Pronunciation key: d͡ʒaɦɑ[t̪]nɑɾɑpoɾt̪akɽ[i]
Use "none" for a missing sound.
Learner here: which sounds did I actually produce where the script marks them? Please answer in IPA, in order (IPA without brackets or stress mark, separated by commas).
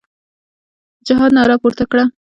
d̪, a